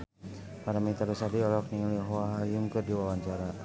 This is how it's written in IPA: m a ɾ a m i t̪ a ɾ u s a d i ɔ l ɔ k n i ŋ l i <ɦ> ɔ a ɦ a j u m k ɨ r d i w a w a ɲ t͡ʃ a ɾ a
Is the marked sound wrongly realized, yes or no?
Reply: no